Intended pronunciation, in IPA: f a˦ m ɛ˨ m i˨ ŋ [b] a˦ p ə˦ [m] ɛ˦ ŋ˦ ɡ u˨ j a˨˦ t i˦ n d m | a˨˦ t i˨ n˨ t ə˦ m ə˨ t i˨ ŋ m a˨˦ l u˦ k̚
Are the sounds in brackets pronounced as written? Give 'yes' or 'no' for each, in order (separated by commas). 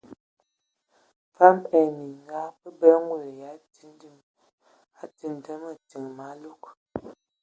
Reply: no, no